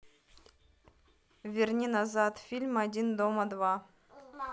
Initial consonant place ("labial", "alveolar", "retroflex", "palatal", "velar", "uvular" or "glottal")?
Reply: labial